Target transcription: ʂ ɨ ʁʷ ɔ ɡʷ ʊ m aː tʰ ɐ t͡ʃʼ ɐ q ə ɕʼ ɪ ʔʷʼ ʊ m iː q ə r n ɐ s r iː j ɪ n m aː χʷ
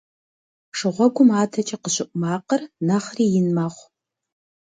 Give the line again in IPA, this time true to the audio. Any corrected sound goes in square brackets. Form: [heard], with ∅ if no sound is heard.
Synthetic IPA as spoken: ʂ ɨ ʁʷ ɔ ɡʷ ʊ m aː tʰ ɐ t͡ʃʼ ɐ q ə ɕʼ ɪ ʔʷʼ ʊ m [aː] q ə r n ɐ [χ] r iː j ɪ n m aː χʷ